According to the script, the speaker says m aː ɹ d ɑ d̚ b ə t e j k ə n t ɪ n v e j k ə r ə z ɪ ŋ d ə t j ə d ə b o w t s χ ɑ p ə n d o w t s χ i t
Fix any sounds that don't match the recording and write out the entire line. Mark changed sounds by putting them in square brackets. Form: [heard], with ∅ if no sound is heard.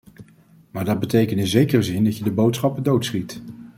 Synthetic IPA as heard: m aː ɹ d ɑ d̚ b ə t e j k ə n t ɪ n [z] e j k ə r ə z ɪ [n] d [ɑ] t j ə d ə b o w t s χ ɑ p ə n d o w t s χ i t